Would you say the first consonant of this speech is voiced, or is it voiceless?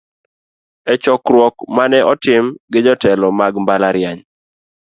voiceless